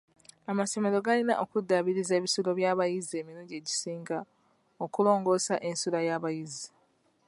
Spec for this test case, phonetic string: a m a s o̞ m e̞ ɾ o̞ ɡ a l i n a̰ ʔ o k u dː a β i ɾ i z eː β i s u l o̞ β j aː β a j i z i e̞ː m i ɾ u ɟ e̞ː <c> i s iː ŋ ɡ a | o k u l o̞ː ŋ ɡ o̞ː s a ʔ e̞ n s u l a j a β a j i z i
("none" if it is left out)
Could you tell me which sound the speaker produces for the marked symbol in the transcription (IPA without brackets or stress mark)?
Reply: ɟ